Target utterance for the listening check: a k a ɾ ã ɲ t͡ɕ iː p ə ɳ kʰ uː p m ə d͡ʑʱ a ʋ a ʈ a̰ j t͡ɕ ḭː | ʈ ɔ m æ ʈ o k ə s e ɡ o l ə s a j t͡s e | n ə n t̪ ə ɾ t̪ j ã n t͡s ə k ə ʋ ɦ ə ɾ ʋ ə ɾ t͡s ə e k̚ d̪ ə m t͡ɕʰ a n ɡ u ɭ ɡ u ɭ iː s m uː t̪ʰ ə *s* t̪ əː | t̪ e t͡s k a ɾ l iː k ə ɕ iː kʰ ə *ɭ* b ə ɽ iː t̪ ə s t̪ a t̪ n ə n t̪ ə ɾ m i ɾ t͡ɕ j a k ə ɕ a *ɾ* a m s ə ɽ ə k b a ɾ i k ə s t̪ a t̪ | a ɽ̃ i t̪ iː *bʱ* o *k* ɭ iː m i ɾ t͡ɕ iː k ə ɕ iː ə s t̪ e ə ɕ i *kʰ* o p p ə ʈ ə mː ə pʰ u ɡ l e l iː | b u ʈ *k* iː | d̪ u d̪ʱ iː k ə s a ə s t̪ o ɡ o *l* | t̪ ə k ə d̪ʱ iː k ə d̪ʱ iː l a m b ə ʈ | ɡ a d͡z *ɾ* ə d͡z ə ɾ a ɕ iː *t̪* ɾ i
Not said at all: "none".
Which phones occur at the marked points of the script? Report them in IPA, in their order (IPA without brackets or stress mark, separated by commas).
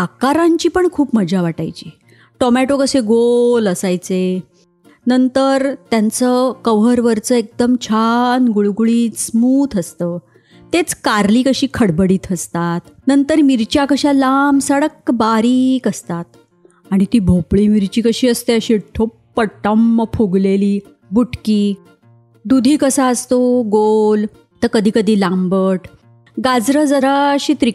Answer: s, ɽ, l, bʱ, p, ʈʰ, k, l, ɾ, t̪